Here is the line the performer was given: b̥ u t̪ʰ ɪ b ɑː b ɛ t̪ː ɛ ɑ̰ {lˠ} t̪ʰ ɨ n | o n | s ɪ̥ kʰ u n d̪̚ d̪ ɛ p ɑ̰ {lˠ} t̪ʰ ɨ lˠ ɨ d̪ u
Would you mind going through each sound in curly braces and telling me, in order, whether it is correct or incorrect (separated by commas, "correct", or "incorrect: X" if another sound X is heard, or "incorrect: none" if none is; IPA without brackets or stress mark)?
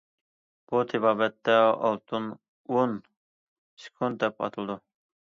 correct, incorrect: none